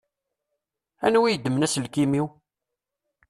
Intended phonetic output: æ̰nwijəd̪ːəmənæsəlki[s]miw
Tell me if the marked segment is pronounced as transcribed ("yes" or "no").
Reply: no